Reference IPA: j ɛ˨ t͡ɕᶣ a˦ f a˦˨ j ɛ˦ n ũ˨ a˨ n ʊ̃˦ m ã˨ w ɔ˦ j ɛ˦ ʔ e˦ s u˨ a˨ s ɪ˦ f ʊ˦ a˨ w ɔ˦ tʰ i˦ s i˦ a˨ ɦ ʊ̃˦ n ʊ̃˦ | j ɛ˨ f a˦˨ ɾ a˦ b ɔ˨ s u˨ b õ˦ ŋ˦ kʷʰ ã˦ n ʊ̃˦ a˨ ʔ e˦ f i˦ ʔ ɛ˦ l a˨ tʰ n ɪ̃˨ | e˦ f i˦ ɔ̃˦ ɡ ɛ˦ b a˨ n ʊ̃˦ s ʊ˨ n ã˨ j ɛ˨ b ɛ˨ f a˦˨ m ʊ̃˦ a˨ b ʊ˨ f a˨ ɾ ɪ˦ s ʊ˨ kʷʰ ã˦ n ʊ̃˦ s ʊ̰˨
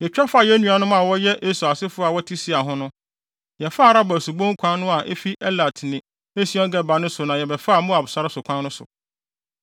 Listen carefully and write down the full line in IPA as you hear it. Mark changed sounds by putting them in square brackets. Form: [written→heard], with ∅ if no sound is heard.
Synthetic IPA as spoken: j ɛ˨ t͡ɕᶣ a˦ f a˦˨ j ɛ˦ n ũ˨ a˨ n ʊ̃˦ m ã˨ w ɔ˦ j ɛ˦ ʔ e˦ s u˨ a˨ s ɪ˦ f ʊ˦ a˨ w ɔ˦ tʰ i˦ s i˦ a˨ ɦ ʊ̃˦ n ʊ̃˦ | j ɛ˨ f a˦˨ ɾ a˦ b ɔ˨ s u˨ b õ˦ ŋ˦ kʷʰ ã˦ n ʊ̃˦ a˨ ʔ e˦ f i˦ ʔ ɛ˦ l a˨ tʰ n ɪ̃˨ | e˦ [f→s] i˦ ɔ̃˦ ɡ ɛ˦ b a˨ n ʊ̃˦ s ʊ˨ n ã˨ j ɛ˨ b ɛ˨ f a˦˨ m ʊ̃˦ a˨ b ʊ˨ [f→s] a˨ ɾ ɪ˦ s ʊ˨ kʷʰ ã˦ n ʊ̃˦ s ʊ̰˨

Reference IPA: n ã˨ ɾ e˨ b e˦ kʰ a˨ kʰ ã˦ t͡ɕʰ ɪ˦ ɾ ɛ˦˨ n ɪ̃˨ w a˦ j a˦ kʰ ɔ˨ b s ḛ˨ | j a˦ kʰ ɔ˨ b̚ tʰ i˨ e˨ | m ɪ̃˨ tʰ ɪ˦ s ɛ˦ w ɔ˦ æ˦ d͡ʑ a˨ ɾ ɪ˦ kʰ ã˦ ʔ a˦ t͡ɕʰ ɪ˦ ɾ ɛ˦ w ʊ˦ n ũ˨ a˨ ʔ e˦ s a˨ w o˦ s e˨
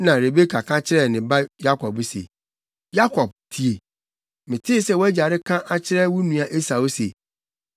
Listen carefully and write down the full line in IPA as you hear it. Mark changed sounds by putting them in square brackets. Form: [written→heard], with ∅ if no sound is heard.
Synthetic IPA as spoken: n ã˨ ɾ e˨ b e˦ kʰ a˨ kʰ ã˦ t͡ɕʰ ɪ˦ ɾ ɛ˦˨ n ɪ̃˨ [w→b] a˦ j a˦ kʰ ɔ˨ b s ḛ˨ | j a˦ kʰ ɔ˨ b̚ tʰ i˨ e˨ | m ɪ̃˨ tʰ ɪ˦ s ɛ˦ w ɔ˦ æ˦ d͡ʑ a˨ ɾ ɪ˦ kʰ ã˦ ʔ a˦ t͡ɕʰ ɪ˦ ɾ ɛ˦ w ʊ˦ n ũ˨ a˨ ʔ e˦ s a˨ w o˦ s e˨

